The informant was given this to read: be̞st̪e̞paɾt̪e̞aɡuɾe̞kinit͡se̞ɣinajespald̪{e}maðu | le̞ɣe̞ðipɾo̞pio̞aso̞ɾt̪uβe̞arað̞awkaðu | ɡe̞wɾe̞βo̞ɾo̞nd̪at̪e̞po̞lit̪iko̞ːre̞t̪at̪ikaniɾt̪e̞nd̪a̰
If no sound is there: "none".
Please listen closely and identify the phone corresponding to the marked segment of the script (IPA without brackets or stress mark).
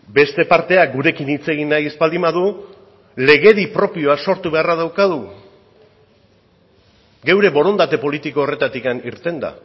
i